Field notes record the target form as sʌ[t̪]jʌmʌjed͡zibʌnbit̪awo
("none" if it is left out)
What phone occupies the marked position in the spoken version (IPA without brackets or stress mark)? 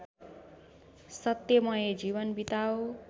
t̪